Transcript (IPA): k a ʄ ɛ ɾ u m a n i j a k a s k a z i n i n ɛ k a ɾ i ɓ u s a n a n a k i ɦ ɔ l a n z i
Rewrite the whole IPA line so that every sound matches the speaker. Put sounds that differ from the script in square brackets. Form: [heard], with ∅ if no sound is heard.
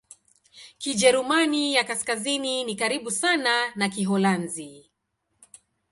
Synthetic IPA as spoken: k [i] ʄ ɛ ɾ u m a n i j a k a s k a z i n i n [i] k a ɾ i ɓ u s a n a n a k i ɦ ɔ l a n z i